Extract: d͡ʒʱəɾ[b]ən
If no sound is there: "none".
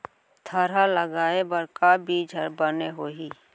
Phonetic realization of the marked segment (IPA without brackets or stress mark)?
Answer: b